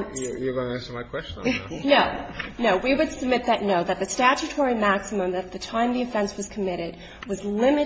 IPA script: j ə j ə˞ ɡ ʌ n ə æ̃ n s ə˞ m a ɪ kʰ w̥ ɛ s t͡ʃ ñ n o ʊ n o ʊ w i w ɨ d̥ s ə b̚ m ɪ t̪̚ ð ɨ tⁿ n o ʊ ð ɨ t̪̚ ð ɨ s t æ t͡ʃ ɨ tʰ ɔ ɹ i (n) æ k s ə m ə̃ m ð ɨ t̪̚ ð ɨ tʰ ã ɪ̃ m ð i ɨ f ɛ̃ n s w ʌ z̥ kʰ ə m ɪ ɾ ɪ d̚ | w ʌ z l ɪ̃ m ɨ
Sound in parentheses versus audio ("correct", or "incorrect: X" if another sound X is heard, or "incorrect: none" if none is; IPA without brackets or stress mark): incorrect: m